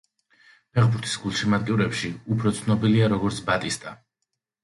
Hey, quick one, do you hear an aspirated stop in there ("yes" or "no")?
yes